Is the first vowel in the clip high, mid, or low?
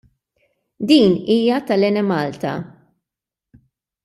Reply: high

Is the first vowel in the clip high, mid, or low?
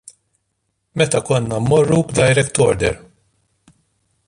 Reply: mid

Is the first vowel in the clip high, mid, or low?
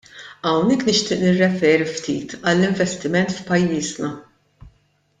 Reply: low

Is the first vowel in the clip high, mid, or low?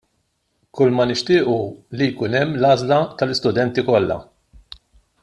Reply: high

